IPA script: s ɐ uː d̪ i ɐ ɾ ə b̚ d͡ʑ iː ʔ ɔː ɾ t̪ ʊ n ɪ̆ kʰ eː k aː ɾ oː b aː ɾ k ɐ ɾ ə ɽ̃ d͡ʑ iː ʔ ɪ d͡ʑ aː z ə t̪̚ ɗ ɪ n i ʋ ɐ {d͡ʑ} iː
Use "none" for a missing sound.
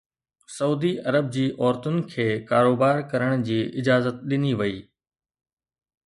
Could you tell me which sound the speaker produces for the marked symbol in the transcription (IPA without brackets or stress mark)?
none